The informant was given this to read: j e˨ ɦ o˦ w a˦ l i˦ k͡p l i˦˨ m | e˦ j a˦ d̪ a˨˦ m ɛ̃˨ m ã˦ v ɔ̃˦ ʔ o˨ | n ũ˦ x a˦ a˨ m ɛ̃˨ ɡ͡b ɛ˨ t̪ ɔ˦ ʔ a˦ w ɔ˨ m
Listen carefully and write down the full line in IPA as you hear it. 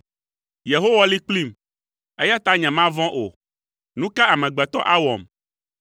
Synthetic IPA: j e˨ ɦ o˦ w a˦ l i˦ k͡p l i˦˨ m | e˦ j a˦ t̪ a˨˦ ɲ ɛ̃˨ m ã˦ v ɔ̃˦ ʔ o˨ | n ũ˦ k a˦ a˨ m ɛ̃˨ ɡ͡b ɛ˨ t̪ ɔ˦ ʔ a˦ w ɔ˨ m